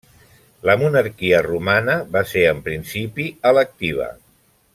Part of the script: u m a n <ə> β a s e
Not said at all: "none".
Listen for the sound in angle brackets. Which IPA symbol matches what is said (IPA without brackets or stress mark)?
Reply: ə